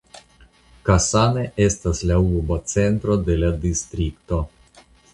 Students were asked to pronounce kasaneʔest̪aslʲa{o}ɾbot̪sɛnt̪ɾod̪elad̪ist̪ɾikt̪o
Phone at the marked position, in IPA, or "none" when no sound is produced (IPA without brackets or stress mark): u